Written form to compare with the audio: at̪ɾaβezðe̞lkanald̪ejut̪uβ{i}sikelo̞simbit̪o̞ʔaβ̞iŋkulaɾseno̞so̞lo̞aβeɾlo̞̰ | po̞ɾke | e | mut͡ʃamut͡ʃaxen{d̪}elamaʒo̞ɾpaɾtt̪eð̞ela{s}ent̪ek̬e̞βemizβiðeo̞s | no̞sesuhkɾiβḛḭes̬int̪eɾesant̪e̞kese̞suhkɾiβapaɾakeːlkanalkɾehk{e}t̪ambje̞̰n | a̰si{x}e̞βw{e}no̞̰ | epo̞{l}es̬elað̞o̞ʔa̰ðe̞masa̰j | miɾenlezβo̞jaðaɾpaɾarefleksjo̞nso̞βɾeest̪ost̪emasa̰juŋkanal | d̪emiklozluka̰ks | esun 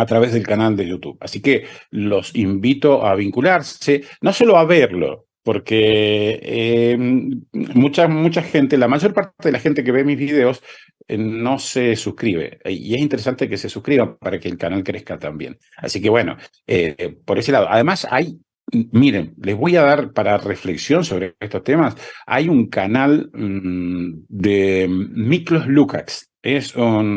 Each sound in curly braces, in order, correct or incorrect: incorrect: a, incorrect: t̪, incorrect: x, incorrect: a, incorrect: k, correct, incorrect: ɾ

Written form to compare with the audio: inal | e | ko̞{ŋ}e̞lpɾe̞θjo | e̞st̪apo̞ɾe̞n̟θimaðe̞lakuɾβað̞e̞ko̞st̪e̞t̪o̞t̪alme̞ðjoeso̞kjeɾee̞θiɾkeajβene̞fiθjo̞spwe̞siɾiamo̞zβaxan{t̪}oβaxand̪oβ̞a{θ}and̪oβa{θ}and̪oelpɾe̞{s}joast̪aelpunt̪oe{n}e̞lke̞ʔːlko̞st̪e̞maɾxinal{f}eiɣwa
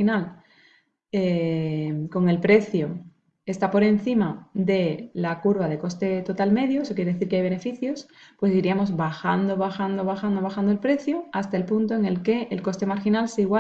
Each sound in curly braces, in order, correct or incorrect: correct, incorrect: d̪, incorrect: x, incorrect: x, incorrect: θ, incorrect: ŋ, incorrect: s

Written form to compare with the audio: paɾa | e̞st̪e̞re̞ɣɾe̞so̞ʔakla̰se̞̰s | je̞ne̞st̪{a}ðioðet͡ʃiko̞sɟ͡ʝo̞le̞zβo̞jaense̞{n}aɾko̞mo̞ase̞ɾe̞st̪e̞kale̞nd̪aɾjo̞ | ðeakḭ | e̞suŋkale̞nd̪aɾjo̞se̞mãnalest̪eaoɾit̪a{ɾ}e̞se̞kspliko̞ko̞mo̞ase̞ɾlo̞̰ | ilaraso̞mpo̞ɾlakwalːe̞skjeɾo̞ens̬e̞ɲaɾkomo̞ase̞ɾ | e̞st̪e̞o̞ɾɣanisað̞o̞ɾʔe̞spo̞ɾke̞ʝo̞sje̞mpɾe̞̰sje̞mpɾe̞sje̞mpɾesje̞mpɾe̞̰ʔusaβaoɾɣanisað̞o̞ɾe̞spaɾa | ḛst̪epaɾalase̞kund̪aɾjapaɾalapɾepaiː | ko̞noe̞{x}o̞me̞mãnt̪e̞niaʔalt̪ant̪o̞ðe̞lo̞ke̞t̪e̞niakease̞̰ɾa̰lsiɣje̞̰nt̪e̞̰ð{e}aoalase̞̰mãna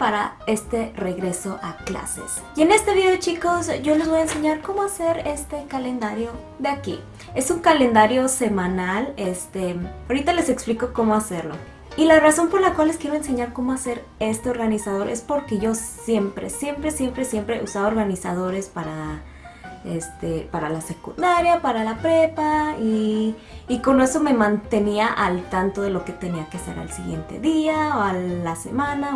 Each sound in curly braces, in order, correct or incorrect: incorrect: e, incorrect: ɲ, incorrect: l, incorrect: s, incorrect: i

